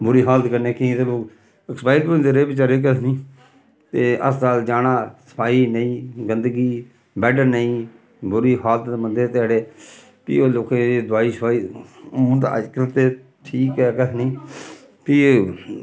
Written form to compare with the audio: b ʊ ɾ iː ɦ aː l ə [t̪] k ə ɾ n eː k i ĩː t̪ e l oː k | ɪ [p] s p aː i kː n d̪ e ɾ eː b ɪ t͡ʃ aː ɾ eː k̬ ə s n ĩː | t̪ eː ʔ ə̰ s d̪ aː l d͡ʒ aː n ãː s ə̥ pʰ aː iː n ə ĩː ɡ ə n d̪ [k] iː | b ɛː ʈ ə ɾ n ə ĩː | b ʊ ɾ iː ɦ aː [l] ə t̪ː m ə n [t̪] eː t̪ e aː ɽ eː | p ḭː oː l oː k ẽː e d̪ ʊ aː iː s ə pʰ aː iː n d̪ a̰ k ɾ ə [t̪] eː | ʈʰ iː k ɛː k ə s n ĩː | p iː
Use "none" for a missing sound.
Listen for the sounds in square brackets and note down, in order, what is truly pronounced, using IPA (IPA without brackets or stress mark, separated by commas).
t̪, k, ɡ, l, d̪, t̪